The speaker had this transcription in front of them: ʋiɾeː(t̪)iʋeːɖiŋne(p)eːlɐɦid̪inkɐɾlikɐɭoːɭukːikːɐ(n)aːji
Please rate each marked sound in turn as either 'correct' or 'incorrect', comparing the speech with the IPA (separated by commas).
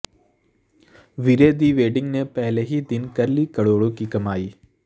incorrect, correct, incorrect